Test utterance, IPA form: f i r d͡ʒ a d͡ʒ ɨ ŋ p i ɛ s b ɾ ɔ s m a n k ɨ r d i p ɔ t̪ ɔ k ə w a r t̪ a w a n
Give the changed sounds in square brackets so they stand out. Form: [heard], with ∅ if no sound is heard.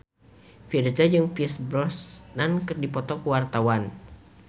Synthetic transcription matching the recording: f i r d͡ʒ a d͡ʒ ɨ ŋ p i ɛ s b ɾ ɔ s [n] a n k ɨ r d i p ɔ t̪ ɔ k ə w a r t̪ a w a n